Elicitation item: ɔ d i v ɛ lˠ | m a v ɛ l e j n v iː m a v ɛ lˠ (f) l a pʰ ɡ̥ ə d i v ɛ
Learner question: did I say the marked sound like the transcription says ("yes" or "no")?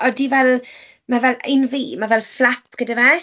yes